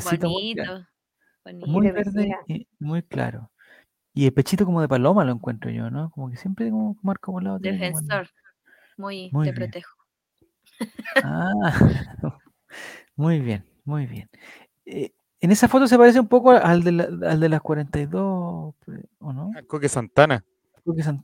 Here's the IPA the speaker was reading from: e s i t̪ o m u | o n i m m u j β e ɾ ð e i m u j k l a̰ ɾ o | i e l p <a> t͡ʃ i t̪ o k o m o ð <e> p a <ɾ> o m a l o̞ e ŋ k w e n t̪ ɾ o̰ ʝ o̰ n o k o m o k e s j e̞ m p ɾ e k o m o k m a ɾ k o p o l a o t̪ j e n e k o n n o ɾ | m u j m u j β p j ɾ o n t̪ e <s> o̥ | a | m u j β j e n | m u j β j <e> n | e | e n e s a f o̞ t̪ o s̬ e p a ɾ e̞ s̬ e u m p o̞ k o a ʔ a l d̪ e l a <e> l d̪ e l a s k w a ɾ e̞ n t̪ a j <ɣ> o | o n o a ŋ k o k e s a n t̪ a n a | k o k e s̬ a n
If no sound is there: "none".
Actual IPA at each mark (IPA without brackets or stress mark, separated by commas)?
e, e, l, x, e, a, ð